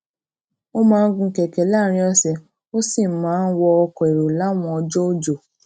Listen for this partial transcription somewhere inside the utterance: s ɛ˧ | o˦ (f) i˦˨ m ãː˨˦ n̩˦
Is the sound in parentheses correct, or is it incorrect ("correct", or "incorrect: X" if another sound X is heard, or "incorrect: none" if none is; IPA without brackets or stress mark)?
incorrect: s